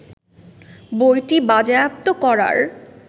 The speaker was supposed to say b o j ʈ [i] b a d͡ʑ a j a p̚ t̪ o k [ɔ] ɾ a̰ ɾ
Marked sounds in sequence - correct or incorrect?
correct, correct

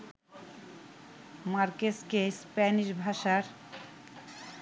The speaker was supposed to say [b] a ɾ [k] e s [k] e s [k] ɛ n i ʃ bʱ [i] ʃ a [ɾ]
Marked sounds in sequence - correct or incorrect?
incorrect: m, correct, correct, incorrect: p, incorrect: a, correct

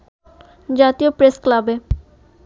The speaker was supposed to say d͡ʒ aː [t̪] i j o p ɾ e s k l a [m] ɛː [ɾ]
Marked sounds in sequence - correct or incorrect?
correct, incorrect: b, incorrect: none

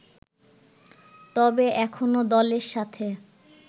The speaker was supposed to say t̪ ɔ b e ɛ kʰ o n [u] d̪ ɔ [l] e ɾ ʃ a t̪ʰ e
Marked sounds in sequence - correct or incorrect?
incorrect: o, correct

